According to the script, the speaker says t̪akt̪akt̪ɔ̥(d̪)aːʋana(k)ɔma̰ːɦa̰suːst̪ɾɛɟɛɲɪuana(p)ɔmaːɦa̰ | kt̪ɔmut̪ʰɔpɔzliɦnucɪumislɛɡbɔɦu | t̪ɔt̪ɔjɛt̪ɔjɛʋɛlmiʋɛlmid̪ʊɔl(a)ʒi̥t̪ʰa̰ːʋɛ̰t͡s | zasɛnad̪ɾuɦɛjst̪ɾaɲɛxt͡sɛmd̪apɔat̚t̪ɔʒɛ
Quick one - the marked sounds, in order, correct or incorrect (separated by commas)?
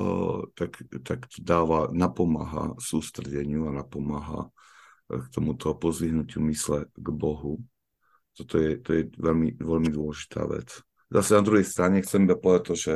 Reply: correct, incorrect, correct, incorrect